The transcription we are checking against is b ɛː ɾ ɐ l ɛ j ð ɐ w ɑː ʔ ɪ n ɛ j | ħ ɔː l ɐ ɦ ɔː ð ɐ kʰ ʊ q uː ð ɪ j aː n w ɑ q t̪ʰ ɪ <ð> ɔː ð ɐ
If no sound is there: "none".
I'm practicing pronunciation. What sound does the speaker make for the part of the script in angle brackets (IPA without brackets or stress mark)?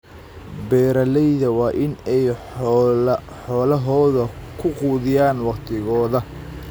ɣ